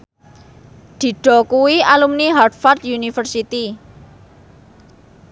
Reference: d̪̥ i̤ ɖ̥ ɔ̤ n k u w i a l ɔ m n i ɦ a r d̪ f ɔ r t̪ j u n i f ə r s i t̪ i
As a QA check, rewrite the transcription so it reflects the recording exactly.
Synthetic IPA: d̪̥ i̤ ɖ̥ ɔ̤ k u w i a l u m n i ɦ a r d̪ f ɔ r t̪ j u n i f ə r s i t̪ i